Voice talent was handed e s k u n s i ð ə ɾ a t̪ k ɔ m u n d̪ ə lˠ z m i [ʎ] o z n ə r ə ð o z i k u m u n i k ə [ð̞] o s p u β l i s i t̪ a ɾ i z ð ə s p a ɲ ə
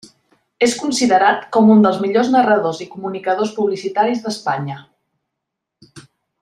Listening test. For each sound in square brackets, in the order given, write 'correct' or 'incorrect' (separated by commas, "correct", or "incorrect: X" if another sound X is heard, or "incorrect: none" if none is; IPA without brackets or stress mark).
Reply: correct, correct